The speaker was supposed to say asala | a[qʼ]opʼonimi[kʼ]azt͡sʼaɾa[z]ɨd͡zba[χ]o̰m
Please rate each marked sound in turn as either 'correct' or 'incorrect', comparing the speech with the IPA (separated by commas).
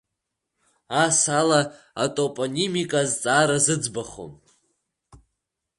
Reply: incorrect, correct, correct, correct